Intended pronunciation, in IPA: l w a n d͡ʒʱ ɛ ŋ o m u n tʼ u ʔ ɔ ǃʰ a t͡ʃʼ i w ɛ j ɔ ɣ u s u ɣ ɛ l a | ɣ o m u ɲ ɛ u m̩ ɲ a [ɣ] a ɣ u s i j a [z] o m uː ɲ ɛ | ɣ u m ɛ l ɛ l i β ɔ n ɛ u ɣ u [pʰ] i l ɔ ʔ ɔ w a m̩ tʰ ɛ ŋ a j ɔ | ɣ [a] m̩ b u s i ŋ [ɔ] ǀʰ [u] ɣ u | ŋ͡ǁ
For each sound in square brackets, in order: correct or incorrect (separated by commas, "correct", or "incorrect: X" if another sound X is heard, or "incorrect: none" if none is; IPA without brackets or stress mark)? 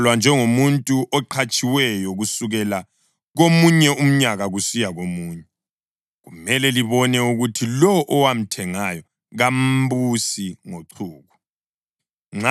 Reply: correct, incorrect: ɣ, incorrect: tʰ, correct, incorrect: o, incorrect: uː